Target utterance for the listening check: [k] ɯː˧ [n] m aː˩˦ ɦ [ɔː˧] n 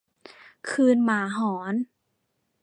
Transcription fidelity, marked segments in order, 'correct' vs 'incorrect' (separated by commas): incorrect, correct, incorrect